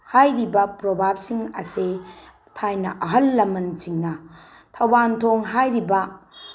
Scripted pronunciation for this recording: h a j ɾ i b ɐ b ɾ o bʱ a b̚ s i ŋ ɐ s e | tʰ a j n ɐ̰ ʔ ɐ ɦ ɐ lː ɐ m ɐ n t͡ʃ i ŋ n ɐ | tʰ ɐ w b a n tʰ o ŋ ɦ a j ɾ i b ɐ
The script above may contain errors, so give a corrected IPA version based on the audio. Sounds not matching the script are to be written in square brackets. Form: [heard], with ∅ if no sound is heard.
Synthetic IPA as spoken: h a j ɾ i b ɐ [p] ɾ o bʱ a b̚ s i ŋ ɐ s e | tʰ a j n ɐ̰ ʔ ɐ ɦ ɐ lː ɐ m ɐ n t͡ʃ i ŋ n ɐ | tʰ ɐ w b a n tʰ o ŋ ɦ a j ɾ i b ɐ